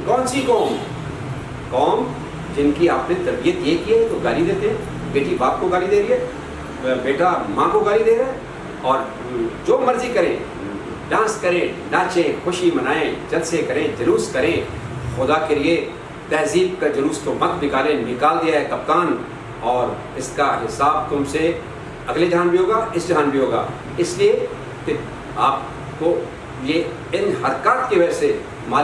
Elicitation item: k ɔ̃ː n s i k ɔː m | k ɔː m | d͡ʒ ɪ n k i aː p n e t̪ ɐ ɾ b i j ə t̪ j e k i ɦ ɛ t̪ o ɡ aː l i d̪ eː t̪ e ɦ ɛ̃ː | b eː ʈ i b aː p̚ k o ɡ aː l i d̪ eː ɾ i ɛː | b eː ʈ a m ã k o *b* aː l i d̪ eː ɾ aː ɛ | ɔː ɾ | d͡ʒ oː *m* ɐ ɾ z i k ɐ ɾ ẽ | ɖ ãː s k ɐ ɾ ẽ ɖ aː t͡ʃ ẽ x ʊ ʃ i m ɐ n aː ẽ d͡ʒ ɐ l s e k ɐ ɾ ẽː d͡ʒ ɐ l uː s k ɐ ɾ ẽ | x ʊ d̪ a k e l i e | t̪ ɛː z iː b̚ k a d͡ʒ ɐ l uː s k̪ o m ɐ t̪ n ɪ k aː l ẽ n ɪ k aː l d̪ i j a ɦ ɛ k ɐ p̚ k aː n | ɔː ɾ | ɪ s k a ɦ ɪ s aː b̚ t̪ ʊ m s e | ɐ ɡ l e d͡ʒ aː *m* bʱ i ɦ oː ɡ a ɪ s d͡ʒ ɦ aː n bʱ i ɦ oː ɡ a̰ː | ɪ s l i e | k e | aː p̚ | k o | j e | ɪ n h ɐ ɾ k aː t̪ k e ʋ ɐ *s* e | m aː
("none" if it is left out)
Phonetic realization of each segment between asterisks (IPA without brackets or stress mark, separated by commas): ɡ, m, n, s